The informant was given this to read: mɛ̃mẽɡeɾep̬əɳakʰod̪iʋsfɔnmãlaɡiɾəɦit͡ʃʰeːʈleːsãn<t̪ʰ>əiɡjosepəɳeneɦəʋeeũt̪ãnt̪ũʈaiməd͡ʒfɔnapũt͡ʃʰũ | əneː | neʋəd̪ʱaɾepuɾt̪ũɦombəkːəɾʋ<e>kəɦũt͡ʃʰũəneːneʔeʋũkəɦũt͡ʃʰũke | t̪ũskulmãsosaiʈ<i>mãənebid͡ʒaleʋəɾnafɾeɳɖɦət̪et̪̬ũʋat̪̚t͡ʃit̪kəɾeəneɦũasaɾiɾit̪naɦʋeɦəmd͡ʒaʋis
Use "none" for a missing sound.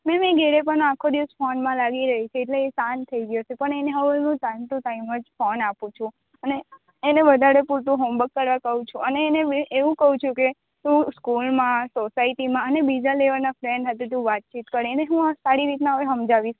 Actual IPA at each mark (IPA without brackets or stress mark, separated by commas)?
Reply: t̪ʰ, a, i